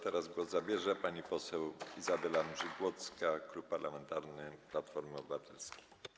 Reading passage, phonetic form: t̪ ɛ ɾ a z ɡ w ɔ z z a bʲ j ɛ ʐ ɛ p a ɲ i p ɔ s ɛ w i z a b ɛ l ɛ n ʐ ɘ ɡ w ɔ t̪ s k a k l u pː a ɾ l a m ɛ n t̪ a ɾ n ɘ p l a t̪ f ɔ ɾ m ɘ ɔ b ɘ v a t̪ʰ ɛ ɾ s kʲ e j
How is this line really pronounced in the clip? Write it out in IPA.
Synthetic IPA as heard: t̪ ɛ ɾ a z ɡ w ɔ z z a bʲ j ɛ ʐ ɛ p a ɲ i p ɔ s ɛ w i z a b ɛ l a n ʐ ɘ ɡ w ɔ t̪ s k a k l u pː a ɾ l a m ɛ n t̪ a ɾ n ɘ p l a t̪ f ɔ ɾ m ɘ ɔ b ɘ v a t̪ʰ ɛ l s kʲ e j